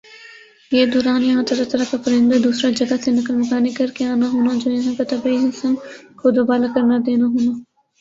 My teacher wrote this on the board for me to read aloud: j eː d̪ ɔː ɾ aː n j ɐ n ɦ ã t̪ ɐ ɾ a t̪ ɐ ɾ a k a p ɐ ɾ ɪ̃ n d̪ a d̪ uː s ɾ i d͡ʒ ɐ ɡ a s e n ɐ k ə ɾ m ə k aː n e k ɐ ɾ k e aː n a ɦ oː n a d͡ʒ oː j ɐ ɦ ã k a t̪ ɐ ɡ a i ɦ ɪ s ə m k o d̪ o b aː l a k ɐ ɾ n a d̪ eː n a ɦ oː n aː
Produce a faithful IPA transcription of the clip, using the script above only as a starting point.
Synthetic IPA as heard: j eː d̪ ɔː ɾ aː n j ɐ ɦ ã t̪ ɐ ɾ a t̪ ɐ ɾ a k a p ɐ ɾ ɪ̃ n d̪ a d̪ uː s ɾ a d͡ʒ ɐ ɡ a s e n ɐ k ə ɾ m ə k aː n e k ɐ ɾ k e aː n a ɦ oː n a d͡ʒ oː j ɐ ɦ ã k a t̪ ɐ b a i ɦ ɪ s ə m k o d̪ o b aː l a k ɐ ɾ n a d̪ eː n a ɦ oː n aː